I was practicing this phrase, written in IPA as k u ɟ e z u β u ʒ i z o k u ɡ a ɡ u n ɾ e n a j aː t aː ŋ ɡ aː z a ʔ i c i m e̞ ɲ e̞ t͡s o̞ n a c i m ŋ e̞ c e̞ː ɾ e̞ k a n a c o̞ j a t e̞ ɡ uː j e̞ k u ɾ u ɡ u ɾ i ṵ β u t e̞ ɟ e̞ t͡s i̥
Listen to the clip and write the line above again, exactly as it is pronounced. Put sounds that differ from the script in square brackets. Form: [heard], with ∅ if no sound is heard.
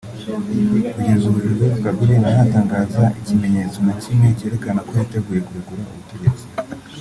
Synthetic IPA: k u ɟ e z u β u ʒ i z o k u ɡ a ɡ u [∅] ɾ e n a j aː t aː ŋ ɡ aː z a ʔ i c i m e̞ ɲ e̞ t͡s o̞ n a c i m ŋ e̞ c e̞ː ɾ e̞ k a n a [k] o̞ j a t e̞ ɡ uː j e̞ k u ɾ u ɡ u ɾ [a] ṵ β u t e̞ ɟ e̞ t͡s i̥